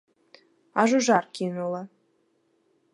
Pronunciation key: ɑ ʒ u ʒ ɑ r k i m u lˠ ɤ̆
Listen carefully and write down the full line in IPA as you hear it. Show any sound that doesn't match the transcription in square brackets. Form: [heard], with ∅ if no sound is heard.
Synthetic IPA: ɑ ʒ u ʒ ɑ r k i [n] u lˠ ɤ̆